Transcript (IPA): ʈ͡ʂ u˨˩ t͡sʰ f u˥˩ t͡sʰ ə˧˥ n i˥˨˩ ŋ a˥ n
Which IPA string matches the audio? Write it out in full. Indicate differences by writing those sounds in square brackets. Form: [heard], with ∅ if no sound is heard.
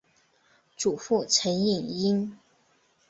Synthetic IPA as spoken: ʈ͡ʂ u˨˩ [∅] f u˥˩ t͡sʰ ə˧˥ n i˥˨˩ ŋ [i˥] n